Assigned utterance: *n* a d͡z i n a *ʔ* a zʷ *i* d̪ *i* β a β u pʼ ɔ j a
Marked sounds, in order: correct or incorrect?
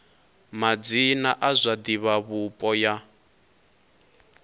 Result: incorrect: m, correct, incorrect: a, correct

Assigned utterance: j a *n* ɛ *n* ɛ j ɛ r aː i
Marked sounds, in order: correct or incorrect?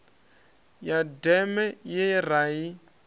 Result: incorrect: d, incorrect: m

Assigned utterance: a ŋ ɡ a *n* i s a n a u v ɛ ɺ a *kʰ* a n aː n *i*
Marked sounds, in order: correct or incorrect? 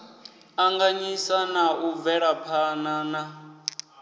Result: incorrect: ɲ, incorrect: pʰ, incorrect: a

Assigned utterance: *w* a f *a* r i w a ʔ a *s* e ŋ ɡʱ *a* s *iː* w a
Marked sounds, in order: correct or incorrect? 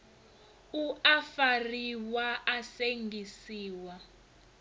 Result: incorrect: u, correct, correct, incorrect: i, correct

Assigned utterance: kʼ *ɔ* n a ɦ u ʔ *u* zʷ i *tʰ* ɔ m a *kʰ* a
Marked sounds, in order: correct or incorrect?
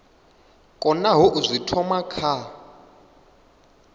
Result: correct, correct, correct, correct

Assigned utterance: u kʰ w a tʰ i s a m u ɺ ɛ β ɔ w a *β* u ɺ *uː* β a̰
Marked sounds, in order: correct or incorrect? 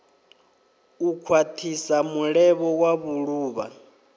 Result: correct, correct

